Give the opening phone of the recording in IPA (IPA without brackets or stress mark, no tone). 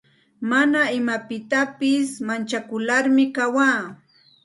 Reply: m